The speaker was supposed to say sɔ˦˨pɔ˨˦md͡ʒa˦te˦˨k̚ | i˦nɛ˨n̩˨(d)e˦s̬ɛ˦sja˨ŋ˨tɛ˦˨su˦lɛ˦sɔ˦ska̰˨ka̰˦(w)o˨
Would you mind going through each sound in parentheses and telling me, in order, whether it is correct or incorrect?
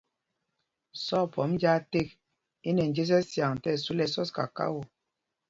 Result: incorrect, correct

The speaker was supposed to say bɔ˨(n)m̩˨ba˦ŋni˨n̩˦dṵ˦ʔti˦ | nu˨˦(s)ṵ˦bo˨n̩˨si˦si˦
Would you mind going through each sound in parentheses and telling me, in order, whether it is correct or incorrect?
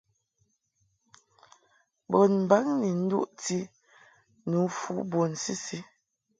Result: correct, incorrect

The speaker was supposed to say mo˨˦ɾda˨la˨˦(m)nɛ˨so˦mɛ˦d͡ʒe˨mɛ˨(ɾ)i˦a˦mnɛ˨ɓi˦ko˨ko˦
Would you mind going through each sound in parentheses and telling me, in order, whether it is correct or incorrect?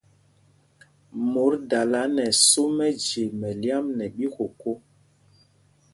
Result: incorrect, incorrect

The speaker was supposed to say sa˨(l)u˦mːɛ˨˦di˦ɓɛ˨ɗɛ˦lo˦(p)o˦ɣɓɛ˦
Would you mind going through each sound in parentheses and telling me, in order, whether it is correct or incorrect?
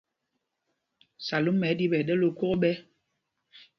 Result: correct, incorrect

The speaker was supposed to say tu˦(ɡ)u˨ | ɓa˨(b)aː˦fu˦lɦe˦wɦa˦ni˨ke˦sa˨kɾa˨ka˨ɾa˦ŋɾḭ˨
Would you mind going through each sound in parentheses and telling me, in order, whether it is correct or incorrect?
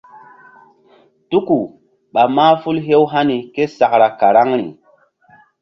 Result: incorrect, incorrect

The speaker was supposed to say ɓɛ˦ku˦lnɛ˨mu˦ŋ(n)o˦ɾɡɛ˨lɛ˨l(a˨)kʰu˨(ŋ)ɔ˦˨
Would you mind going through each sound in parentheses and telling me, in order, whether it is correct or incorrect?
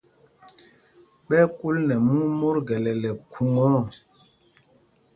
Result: incorrect, incorrect, correct

